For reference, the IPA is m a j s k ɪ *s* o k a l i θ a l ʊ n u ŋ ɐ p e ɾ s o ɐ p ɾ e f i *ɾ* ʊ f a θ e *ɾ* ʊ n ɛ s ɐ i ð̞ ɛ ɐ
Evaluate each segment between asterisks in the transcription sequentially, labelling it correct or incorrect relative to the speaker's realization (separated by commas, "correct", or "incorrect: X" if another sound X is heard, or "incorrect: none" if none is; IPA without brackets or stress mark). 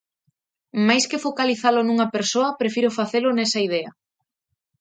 incorrect: f, correct, incorrect: l